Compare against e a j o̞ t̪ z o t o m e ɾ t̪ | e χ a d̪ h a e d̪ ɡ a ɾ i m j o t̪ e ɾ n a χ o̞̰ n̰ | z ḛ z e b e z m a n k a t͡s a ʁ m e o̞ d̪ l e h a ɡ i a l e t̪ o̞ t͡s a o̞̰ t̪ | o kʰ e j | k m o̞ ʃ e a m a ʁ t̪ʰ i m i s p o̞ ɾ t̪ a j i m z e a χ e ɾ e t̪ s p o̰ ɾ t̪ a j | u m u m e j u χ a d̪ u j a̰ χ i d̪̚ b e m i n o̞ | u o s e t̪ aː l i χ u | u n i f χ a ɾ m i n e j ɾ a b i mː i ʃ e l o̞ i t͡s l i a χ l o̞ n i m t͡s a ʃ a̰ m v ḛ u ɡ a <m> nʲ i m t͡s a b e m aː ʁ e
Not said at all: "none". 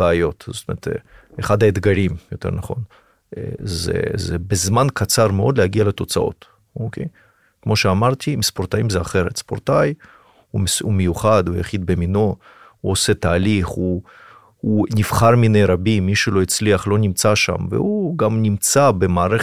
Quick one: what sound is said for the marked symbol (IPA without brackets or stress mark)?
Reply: m